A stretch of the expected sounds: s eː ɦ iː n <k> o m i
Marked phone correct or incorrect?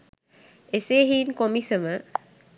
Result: correct